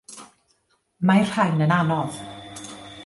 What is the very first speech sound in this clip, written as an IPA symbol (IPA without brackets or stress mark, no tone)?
m